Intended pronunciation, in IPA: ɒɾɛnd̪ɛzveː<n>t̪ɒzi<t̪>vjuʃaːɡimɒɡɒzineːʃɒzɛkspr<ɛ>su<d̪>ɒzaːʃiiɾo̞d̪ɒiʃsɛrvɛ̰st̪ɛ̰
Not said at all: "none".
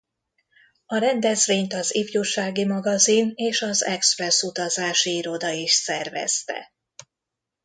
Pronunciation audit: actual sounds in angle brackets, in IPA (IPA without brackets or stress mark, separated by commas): ɲ, none, ɛ, t̪